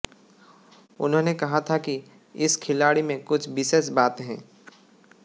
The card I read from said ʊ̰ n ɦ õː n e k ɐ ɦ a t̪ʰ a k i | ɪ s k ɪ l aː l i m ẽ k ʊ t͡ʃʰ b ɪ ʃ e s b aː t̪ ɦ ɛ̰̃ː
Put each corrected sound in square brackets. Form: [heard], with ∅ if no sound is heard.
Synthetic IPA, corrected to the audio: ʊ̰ n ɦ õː n e k ɐ ɦ a t̪ʰ a k i | ɪ s [kʰ] ɪ l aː [ɽ] i m ẽ k ʊ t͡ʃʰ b ɪ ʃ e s b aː t̪ ɦ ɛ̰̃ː

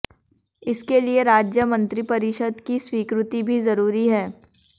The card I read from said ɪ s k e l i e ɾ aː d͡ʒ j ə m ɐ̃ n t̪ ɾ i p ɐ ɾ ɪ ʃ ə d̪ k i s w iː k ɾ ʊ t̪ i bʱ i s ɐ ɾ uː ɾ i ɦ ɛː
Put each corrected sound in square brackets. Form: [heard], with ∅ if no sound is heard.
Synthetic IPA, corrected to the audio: ɪ s k e l i e ɾ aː d͡ʒ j ə m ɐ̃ n t̪ ɾ i p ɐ ɾ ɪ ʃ ə d̪ k i s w iː k ɾ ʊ t̪ i bʱ i [z] ɐ ɾ uː ɾ i ɦ ɛː

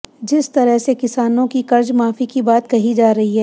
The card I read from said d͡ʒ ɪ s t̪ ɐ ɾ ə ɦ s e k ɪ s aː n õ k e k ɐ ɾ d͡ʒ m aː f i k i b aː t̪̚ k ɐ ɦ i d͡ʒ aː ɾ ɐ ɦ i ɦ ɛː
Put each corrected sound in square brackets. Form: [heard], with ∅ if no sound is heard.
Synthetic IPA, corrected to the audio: d͡ʒ ɪ s t̪ ɐ ɾ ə ɦ s e k ɪ s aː n õ k [i] k ɐ ɾ d͡ʒ m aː f i k i b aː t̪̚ k ɐ ɦ i d͡ʒ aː ɾ ɐ ɦ i ɦ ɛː

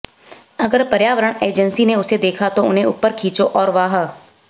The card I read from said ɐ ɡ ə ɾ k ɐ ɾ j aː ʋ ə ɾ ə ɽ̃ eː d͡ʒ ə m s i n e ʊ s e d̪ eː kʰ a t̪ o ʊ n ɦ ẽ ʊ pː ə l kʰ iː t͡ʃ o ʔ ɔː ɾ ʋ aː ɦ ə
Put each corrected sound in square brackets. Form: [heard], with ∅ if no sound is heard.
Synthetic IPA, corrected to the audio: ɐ ɡ ə ɾ [p] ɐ ɾ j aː ʋ ə ɾ ə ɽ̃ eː d͡ʒ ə [n] s i n e ʊ s e d̪ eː kʰ a t̪ o ʊ n ɦ ẽ ʊ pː ə [ɾ] kʰ iː t͡ʃ o ʔ ɔː ɾ ʋ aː ɦ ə

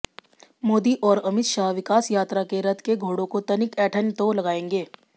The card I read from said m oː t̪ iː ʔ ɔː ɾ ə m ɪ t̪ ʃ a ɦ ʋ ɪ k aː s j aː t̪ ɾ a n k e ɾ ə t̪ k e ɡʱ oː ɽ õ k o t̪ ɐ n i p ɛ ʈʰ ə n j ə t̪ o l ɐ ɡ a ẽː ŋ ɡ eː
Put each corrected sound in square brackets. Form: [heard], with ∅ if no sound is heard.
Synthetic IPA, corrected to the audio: m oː [d̪] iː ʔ ɔː ɾ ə m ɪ t̪ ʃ a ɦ ʋ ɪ k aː s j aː t̪ ɾ a [∅] k e ɾ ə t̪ k e ɡʱ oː ɽ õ k o t̪ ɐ n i [k] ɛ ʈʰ ə n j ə t̪ o l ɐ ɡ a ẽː ŋ ɡ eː

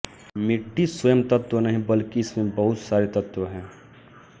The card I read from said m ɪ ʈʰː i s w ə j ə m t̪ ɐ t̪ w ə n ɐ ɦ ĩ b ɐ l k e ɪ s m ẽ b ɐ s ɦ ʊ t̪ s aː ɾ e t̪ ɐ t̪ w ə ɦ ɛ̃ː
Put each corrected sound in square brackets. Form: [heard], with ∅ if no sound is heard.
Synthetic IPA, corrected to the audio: m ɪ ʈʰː i s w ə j ə m t̪ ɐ t̪ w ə n ɐ ɦ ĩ b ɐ l k [i] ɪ s m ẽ b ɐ [∅] ɦ ʊ t̪ s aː ɾ e t̪ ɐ t̪ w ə ɦ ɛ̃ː

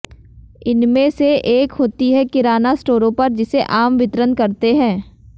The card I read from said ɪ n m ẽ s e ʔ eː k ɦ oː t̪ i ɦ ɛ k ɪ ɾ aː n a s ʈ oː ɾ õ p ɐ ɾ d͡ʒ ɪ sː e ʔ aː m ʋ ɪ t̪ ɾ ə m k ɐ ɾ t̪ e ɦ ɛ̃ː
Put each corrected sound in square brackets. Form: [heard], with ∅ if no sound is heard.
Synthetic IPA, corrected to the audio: ɪ n m ẽ s e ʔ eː k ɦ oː t̪ i ɦ ɛ k ɪ ɾ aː n a s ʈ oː ɾ õ p ɐ ɾ d͡ʒ ɪ [s] e ʔ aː m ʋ ɪ t̪ ɾ ə [n] k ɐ ɾ t̪ e ɦ ɛ̃ː

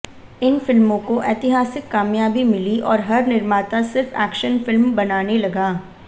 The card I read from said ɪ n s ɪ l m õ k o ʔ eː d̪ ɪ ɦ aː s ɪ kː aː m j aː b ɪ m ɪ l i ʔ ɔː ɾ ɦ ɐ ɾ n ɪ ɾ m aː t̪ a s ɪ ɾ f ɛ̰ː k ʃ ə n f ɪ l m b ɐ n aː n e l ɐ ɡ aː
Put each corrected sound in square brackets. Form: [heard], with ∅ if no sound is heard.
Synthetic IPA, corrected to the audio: ɪ n [f] ɪ l m õ k o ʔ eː [t̪] ɪ ɦ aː s ɪ kː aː m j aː b [i] m ɪ l i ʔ ɔː ɾ ɦ ɐ ɾ n ɪ ɾ m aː t̪ a s ɪ ɾ f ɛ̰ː k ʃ ə n f ɪ l m b ɐ n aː n e l ɐ ɡ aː

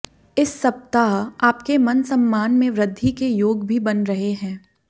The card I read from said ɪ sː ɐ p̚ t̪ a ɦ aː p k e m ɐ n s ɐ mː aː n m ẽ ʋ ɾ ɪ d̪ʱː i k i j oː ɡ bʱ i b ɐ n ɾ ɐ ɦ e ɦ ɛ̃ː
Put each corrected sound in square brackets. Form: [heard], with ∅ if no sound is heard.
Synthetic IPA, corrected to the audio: ɪ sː ɐ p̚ t̪ a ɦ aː p k e m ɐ n s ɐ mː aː n m ẽ ʋ ɾ ɪ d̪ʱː i k [e] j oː ɡ bʱ i b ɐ n ɾ ɐ ɦ e ɦ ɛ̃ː

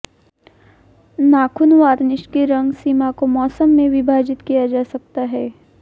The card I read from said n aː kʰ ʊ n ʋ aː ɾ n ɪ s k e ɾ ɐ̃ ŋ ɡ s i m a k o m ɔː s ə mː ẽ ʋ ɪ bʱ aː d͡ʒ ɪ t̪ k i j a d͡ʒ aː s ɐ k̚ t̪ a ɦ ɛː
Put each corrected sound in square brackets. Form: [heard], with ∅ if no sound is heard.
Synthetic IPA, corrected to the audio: n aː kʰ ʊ n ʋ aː ɾ n ɪ [ʃ] k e ɾ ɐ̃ ŋ ɡ s i m a k o m ɔː s ə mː ẽ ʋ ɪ bʱ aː d͡ʒ ɪ t̪ k i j a d͡ʒ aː s ɐ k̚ t̪ a ɦ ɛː

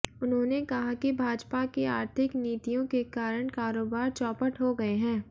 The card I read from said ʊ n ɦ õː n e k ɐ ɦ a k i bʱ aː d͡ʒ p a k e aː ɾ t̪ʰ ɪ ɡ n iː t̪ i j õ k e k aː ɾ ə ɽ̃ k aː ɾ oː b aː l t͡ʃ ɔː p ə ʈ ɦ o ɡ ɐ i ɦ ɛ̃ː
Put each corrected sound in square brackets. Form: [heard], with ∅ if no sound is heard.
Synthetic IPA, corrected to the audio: ʊ n ɦ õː n e k ɐ ɦ a k i bʱ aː d͡ʒ p a k e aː ɾ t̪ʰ ɪ [k] n iː t̪ i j õ k e k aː ɾ ə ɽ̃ k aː ɾ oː b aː [ɾ] t͡ʃ ɔː p ə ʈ ɦ o ɡ ɐ [e] ɦ ɛ̃ː

